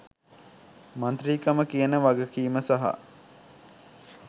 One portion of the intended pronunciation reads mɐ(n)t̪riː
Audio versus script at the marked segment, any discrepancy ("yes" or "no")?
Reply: no